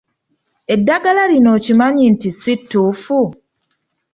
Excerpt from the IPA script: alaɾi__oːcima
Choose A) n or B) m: A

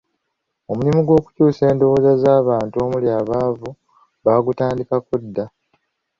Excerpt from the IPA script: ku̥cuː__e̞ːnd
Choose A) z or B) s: B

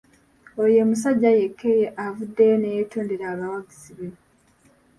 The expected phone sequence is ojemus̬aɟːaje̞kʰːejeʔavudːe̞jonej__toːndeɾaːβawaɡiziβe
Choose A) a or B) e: B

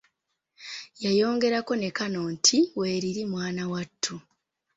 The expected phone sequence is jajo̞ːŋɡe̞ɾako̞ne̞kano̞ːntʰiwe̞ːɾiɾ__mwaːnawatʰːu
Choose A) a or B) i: B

